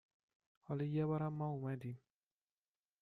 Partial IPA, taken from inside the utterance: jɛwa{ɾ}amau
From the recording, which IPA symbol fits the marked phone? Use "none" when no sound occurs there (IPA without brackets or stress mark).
ɾ